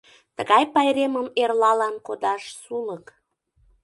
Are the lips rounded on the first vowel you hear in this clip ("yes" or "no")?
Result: no